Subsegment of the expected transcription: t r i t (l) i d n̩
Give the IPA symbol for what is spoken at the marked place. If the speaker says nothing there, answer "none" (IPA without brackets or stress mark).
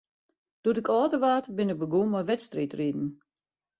r